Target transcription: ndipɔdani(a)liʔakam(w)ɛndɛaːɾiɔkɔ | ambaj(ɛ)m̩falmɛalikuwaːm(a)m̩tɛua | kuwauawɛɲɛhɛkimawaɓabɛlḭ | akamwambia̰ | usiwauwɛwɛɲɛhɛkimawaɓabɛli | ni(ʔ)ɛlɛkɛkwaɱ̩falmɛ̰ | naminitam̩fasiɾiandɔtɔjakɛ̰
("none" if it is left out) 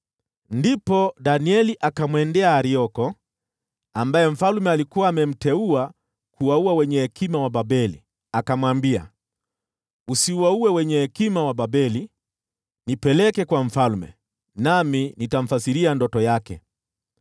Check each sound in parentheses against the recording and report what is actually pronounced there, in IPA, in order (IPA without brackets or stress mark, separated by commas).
ɛ, w, ɛ, ɛ, p